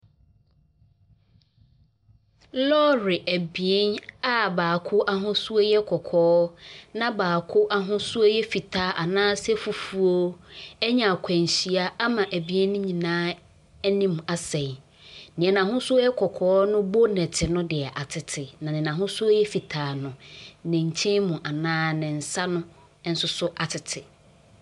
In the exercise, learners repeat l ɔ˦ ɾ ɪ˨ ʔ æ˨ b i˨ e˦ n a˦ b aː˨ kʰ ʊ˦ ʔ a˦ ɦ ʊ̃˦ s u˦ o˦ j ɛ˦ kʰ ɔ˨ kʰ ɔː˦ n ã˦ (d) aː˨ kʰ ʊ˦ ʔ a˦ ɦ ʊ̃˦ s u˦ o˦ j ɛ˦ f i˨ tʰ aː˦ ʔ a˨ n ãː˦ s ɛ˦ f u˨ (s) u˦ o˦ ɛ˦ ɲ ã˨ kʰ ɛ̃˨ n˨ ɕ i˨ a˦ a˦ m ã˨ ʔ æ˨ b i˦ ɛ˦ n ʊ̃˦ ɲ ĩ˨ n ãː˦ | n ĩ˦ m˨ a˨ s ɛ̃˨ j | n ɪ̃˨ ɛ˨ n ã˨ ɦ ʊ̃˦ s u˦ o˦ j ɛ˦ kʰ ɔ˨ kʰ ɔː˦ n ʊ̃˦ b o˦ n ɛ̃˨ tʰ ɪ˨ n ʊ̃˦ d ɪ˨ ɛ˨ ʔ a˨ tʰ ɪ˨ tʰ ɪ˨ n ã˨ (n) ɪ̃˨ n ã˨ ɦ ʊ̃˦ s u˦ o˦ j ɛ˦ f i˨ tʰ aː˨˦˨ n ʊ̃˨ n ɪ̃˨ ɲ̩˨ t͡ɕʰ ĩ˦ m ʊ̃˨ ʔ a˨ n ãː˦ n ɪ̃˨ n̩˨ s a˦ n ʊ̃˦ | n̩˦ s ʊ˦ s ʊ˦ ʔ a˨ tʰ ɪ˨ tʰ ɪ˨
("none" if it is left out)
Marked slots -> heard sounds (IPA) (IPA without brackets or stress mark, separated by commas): b, f, n